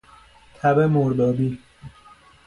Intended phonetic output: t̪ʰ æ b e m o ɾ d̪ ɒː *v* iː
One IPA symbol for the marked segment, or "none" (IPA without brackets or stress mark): b